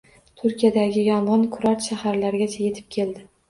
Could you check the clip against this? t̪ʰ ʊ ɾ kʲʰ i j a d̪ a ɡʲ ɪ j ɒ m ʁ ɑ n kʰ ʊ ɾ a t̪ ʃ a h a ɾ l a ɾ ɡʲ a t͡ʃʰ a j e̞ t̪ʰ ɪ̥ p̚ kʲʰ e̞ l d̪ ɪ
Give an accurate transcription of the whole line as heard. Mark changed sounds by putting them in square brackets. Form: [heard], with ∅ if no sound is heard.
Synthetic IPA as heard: t̪ʰ ʊ ɾ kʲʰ i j a d̪ a ɡʲ ɪ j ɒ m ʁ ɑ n kʰ ʊ ɾ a t̪ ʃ a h a ɾ l a ɾ ɡʲ a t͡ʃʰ a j e̞ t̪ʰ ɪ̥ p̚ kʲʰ e̞ l d̪ ɪ